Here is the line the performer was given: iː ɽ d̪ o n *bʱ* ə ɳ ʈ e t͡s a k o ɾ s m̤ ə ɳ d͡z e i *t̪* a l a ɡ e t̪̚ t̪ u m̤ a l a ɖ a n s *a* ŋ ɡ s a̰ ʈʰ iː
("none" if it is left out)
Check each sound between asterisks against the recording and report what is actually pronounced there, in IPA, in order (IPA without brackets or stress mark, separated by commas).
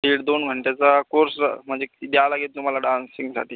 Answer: ɡʱ, d̪, i